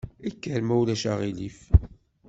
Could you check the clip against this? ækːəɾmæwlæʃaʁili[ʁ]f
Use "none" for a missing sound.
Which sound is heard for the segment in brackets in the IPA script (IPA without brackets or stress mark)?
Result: none